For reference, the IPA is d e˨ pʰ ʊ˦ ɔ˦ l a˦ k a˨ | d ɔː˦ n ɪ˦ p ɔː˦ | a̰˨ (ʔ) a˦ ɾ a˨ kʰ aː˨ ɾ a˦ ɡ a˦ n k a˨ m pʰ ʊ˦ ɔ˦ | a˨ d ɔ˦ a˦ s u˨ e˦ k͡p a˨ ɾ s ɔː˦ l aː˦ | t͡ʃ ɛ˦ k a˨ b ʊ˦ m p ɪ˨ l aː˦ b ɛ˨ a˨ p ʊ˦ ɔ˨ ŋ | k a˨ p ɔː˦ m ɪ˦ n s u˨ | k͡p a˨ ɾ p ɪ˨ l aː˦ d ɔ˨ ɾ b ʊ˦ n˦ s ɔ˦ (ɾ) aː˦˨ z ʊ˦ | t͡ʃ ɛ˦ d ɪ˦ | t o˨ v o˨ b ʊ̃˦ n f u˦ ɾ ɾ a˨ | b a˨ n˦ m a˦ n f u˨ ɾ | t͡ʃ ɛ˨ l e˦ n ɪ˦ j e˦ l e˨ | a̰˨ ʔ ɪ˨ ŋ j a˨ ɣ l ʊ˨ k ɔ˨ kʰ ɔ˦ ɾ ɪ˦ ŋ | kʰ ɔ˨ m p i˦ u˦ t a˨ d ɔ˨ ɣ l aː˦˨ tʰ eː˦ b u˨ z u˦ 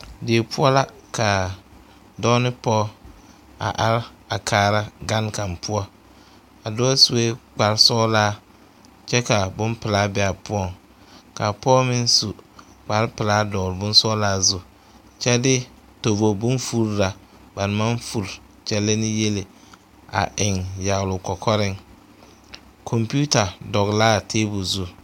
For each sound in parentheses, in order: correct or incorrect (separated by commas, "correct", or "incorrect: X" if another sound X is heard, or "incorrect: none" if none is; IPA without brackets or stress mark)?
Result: correct, incorrect: l